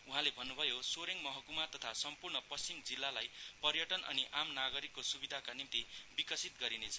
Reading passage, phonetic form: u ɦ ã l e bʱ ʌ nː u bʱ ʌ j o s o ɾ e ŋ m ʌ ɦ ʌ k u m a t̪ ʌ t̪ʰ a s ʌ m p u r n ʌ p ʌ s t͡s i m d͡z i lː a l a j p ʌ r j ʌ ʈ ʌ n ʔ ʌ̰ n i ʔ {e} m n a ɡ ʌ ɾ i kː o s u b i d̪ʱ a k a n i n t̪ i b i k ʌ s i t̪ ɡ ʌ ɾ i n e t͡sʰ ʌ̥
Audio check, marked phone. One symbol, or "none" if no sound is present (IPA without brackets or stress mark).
a